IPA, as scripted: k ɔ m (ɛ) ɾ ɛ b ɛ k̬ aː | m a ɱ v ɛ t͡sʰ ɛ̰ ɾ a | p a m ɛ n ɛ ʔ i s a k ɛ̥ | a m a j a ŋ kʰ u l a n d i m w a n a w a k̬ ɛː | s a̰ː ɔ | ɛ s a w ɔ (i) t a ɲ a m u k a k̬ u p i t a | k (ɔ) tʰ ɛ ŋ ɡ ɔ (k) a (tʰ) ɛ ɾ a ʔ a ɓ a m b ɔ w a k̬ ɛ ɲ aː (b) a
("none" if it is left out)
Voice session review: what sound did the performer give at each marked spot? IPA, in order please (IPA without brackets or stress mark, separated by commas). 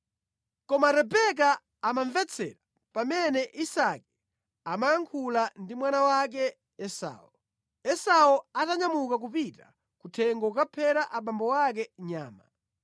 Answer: a, a, u, k, pʰ, m